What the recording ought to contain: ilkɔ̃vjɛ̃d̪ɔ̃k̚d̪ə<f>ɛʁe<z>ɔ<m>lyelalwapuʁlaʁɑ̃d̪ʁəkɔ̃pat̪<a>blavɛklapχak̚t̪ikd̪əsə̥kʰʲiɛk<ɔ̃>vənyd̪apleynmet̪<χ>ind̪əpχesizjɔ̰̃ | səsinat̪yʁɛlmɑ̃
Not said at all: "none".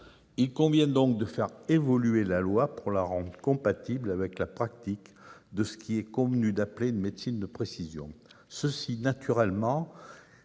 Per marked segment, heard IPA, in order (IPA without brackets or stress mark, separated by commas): f, v, none, i, ɔ̃, s